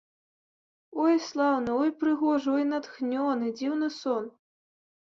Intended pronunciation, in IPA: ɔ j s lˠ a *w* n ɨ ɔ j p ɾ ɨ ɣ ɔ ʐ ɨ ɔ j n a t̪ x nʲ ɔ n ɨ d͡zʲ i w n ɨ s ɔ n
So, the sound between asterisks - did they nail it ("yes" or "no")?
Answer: yes